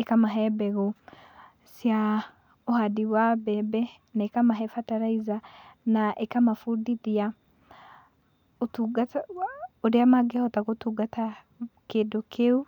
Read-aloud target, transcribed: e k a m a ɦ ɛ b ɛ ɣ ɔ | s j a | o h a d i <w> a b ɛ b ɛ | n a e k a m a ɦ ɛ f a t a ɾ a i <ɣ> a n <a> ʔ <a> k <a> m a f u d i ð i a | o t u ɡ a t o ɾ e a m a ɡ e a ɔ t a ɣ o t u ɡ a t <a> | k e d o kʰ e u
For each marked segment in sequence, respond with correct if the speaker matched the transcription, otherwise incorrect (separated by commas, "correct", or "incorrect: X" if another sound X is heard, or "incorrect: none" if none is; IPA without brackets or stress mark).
correct, incorrect: z, correct, incorrect: e, correct, correct